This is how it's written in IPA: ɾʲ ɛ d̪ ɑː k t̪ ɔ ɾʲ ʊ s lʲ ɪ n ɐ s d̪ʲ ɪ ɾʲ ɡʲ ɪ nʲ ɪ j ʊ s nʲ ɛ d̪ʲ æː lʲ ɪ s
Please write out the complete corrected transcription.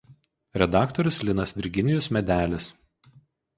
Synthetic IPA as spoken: ɾʲ ɛ d̪ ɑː k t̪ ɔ ɾʲ ʊ s lʲ ɪ n ɐ s d̪ʲ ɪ ɾʲ ɡʲ ɪ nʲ ɪ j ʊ s mʲ ɛ d̪ʲ æː lʲ ɪ s

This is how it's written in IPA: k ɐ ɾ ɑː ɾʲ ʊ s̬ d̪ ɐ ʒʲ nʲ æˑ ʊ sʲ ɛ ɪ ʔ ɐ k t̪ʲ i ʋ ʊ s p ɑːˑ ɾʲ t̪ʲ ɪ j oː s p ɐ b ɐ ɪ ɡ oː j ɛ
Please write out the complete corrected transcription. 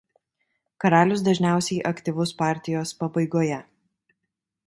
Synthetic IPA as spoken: k ɐ ɾ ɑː lʲ ʊ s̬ d̪ ɐ ʒʲ nʲ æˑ ʊ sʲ ɛ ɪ ʔ ɐ k t̪ʲ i ʋ ʊ s p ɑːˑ ɾʲ t̪ʲ ɪ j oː s p ɐ b ɐ ɪ ɡ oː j ɛ

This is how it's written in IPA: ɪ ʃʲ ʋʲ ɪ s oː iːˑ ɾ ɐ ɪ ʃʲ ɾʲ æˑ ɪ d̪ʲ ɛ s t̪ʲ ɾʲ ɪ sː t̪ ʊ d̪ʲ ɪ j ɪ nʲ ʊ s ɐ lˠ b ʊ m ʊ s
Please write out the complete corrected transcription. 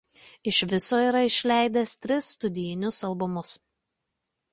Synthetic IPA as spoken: ɪ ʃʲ ʋʲ ɪ s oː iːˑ ɾ ɐ ɪ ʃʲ lʲ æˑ ɪ d̪ʲ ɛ s t̪ʲ ɾʲ ɪ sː t̪ ʊ d̪ʲ ɪ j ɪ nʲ ʊ s ɐ lˠ b ʊ m ʊ s

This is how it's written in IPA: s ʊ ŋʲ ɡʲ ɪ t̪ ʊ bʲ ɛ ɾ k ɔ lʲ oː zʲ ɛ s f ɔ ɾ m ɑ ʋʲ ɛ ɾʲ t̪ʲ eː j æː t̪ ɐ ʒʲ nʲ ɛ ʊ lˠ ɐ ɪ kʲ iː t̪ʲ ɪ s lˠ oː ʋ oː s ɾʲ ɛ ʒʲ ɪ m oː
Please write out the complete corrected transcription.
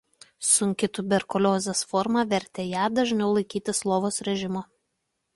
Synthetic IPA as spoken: s ʊ ŋʲ kʲ ɪ t̪ ʊ bʲ ɛ ɾ k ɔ lʲ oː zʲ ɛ s f ɔ ɾ m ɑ ʋʲ ɛ ɾʲ t̪ʲ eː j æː d̪ ɐ ʒʲ nʲ ɛ ʊ lˠ ɐ ɪ kʲ iː t̪ʲ ɪ s lˠ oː ʋ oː s ɾʲ ɛ ʒʲ ɪ m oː

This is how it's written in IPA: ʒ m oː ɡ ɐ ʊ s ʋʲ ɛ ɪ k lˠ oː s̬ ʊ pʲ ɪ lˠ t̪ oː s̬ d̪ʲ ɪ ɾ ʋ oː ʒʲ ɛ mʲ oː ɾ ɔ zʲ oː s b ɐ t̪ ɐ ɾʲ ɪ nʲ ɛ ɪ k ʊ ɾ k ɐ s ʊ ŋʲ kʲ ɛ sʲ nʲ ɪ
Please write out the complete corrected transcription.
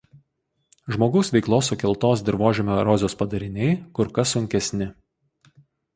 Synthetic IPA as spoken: ʒ m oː ɡ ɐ ʊ s ʋʲ ɛ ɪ k lˠ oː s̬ ʊ kʲ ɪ lˠ t̪ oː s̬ d̪ʲ ɪ ɾ ʋ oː ʒʲ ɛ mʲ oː ɾ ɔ zʲ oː s p ɐ d̪ ɐ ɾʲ ɪ nʲ ɛ ɪ k ʊ ɾ k ɐ s ʊ ŋʲ kʲ ɛ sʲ nʲ ɪ

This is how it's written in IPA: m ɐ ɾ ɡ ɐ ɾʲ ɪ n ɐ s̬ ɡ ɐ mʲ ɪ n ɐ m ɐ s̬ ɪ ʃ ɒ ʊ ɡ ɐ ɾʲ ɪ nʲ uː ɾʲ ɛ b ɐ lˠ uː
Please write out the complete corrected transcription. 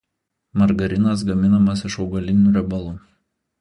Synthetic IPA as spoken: m ɐ ɾ ɡ ɐ ɾʲ ɪ n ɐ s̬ ɡ ɐ mʲ ɪ n ɐ m ɐ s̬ ɪ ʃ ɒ ʊ ɡ ɐ lʲ ɪ nʲ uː ɾʲ ɛ b ɐ lˠ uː

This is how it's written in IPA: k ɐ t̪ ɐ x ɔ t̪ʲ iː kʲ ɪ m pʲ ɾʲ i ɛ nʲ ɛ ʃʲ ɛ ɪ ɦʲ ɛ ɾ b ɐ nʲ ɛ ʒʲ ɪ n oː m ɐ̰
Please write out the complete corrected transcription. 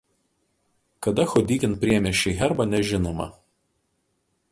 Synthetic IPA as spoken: k ɐ d̪ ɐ x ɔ d̪ʲ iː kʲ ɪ n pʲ ɾʲ i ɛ mʲ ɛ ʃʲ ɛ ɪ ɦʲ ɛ ɾ b ɐ nʲ ɛ ʒʲ ɪ n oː m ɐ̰

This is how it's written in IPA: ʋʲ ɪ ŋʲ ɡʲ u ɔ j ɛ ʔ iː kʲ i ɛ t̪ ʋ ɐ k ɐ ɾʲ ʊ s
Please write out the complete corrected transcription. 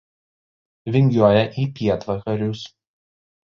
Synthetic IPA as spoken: ʋʲ ɪ ŋʲ ɡʲ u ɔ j ɛ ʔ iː pʲ i ɛ t̪ ʋ ɐ k ɐ ɾʲ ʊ s

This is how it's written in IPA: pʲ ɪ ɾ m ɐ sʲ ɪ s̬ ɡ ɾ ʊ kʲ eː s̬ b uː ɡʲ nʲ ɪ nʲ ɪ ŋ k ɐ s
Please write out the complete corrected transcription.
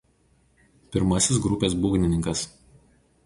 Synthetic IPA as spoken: pʲ ɪ ɾ m ɐ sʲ ɪ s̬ ɡ ɾ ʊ pʲ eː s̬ b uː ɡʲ nʲ ɪ nʲ ɪ ŋ k ɐ s

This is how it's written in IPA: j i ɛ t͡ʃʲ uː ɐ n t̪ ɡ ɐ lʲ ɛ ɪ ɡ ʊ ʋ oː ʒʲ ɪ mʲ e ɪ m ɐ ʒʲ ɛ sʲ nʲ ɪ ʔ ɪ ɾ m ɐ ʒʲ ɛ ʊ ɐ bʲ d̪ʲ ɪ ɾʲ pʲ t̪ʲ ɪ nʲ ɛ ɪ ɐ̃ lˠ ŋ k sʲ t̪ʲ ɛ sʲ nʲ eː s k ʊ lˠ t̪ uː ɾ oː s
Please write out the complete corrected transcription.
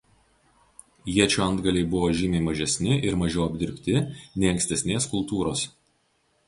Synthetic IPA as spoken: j i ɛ t͡ʃʲ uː ɐ n d̪ ɡ ɐ lʲ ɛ ɪ b ʊ ʋ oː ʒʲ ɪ mʲ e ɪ m ɐ ʒʲ ɛ sʲ nʲ ɪ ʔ ɪ ɾ m ɐ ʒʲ ɛ ʊ ɐ bʲ d̪ʲ ɪ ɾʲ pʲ t̪ʲ ɪ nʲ ɛ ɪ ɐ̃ ŋ k sʲ t̪ʲ ɛ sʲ nʲ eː s k ʊ lˠ t̪ uː ɾ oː s

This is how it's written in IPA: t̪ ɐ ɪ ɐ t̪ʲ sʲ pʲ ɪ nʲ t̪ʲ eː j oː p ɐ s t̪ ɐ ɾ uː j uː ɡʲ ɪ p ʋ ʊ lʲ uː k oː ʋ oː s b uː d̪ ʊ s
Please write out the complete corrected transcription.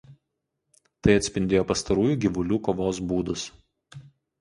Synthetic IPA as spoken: t̪ ɐ ɪ ɐ t̪ʲ sʲ pʲ ɪ nʲ d̪ʲ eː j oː p ɐ s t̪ ɐ ɾ uː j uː ɡʲ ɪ ʋ ʊ lʲ uː k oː ʋ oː s b uː d̪ ʊ s

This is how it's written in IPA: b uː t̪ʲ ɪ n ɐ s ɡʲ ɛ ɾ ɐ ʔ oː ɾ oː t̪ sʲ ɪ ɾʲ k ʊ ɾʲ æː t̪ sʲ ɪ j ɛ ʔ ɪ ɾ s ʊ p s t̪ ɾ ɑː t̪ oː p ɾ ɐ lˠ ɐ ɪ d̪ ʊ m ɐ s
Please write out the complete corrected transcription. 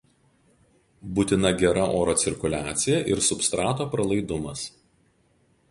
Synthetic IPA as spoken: b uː t̪ʲ ɪ n ɐ ɡʲ ɛ ɾ ɐ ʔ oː ɾ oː t̪ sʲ ɪ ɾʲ k ʊ lʲ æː t̪ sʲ ɪ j ɛ ʔ ɪ ɾ s ʊ p s t̪ ɾ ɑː t̪ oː p ɾ ɐ lˠ ɐ ɪ d̪ ʊ m ɐ s

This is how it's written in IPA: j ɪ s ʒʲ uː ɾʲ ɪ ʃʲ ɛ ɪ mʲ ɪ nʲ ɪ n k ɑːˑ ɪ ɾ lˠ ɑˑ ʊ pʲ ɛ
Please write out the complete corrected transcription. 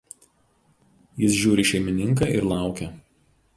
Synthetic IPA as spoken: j ɪ s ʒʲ uː ɾʲ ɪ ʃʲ ɛ ɪ mʲ ɪ nʲ ɪ ŋ k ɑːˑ ɪ ɾ lˠ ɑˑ ʊ kʲ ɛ

